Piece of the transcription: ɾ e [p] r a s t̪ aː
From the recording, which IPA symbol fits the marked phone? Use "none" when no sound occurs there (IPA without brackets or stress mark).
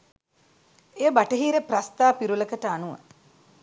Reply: p